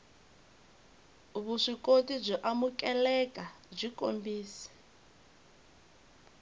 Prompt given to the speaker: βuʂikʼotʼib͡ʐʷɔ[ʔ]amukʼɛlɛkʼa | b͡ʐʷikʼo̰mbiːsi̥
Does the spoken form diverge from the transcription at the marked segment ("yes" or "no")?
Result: no